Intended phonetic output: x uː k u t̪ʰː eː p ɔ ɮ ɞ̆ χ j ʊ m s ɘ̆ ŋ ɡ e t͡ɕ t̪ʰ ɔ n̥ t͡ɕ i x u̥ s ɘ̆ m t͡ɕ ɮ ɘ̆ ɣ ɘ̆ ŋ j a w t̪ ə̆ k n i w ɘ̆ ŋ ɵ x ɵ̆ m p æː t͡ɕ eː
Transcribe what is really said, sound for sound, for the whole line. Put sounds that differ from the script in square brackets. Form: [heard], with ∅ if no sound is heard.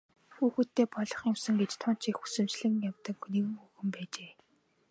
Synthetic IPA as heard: x uː [x] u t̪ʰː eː p ɔ ɮ ɞ̆ χ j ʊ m s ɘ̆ ŋ ɡ e t͡ɕ t̪ʰ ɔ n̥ t͡ɕ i x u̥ s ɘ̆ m t͡ɕ ɮ ɘ̆ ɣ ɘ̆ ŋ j a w t̪ ə̆ k n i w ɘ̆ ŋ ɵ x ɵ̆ m p æː t͡ɕ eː